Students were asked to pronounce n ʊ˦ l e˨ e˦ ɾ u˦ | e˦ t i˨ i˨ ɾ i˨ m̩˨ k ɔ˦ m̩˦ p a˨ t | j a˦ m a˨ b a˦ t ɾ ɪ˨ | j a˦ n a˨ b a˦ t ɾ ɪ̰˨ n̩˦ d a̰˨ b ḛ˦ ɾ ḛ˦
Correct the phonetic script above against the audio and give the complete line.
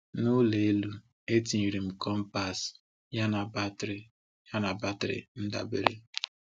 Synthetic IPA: n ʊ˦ l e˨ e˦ l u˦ | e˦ t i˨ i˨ ɾ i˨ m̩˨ k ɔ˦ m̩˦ p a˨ s | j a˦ n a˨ b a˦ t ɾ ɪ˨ | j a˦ n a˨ b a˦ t ɾ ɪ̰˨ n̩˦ d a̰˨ b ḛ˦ ɾ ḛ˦